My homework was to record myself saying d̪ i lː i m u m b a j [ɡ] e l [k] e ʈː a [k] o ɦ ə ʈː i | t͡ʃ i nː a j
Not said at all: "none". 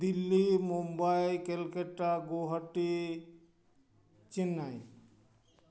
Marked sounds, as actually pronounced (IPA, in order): k, k, ɡ

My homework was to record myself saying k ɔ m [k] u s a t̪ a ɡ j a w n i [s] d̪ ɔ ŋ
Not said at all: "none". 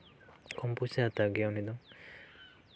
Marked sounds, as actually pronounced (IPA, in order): p, none

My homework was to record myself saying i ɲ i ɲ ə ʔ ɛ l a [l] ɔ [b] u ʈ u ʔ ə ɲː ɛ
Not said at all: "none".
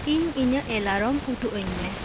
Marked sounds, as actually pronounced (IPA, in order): ɾ, m

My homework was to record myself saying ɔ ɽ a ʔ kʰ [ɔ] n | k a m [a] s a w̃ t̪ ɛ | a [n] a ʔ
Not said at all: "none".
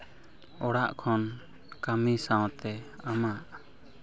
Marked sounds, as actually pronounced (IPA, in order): ɔ, i, m

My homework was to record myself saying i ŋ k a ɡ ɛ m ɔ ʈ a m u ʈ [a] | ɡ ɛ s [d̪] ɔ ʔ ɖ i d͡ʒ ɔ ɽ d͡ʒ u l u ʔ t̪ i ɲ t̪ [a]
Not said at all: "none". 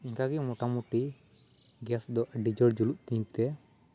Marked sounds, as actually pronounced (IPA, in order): i, d̪, ɛ

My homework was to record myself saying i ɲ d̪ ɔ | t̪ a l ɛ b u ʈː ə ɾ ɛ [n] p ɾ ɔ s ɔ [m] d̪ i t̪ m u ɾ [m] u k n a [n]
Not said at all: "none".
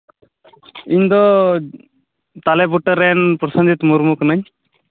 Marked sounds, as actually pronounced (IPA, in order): n, n, m, ɲ

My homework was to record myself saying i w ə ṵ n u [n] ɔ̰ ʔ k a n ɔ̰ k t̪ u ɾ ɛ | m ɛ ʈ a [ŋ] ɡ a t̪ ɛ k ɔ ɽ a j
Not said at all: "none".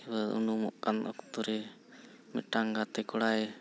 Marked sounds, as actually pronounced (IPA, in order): m, ŋ

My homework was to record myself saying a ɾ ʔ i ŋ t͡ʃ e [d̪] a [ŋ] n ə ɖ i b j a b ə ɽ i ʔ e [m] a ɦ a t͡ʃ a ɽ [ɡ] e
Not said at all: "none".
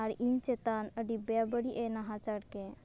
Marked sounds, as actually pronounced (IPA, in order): t̪, none, n, k

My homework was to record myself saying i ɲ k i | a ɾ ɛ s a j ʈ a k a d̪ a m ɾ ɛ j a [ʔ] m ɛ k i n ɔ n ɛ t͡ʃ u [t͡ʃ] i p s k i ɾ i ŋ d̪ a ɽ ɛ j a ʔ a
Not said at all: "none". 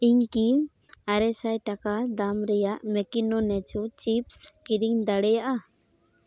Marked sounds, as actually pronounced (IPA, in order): ʔ, t͡ʃ

